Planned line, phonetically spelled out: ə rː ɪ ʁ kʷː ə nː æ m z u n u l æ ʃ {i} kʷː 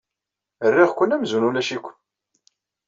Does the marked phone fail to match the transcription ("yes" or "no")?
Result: no